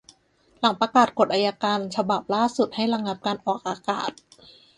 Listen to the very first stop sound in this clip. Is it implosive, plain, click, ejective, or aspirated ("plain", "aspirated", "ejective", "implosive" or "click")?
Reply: plain